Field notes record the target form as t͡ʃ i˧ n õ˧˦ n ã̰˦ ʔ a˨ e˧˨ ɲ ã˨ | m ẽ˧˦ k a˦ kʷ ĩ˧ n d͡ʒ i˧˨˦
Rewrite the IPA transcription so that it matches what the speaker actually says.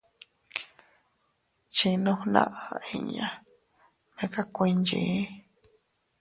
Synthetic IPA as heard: t͡ʃ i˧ n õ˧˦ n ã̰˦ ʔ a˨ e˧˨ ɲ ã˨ | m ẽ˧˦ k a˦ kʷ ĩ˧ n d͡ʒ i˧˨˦